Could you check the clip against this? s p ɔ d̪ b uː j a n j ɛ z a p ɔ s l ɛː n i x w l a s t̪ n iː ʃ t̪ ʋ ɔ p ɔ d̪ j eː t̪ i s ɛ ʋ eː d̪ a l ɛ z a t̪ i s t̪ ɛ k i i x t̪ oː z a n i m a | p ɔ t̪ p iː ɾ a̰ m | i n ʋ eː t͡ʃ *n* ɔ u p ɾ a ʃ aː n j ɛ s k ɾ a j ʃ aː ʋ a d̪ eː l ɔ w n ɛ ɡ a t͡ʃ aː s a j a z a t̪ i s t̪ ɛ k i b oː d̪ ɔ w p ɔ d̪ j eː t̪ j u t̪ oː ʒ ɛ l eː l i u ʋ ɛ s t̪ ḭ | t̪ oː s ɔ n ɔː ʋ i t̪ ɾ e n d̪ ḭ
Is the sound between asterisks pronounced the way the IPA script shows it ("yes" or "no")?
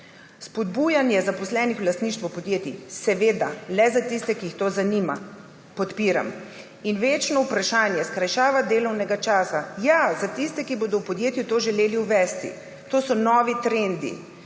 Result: yes